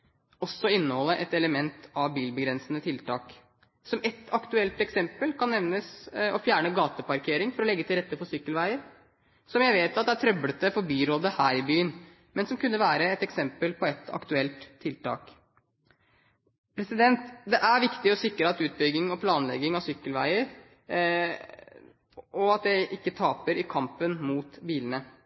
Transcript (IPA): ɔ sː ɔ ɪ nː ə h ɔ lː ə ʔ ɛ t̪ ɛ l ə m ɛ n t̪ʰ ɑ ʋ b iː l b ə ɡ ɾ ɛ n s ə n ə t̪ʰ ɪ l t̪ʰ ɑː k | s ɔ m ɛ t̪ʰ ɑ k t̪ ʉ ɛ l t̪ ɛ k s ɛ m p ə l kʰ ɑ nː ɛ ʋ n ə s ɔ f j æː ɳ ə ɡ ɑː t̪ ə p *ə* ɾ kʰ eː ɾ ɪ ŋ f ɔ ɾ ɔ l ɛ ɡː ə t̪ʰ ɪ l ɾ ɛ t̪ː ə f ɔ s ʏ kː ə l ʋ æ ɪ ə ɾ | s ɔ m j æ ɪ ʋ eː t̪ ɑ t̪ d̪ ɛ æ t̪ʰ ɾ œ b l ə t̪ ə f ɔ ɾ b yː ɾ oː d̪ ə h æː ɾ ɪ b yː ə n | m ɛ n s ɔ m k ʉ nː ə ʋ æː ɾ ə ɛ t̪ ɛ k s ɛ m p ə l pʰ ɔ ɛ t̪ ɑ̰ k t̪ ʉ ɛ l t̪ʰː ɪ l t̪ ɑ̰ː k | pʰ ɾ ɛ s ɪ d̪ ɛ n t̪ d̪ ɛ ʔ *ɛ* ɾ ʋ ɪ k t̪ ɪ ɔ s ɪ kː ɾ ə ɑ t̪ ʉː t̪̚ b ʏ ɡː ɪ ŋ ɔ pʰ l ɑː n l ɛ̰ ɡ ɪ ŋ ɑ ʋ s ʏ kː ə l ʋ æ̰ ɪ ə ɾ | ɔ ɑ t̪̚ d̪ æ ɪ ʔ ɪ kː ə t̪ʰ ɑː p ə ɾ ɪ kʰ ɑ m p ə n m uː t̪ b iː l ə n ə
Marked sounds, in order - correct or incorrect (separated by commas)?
incorrect, incorrect